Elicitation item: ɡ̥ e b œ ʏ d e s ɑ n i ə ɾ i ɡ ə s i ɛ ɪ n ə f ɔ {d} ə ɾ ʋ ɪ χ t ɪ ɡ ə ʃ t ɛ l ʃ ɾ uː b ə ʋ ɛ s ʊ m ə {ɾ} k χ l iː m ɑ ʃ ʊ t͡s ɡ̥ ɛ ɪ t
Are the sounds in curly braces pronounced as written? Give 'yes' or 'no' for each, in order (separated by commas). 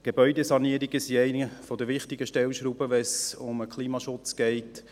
yes, no